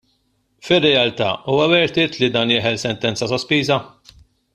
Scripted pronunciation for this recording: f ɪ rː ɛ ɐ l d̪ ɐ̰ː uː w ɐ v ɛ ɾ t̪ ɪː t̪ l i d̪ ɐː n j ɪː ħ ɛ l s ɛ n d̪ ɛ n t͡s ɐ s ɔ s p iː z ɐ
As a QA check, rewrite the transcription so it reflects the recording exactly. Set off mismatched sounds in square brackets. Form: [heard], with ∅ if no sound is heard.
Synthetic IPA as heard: f ɪ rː ɛ ɐ l [t̪] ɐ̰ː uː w ɐ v ɛ ɾ t̪ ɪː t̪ l i d̪ ɐː n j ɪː ħ ɛ l s ɛ n [t̪] ɛ n t͡s ɐ s ɔ s p iː z ɐ